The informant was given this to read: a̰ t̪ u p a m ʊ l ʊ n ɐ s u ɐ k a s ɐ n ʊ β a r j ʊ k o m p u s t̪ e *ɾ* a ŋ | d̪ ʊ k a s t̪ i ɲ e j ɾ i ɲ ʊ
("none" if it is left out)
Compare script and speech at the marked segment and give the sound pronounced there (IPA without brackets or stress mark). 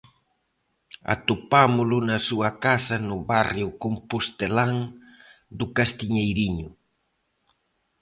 l